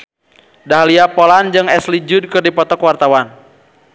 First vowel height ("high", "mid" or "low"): low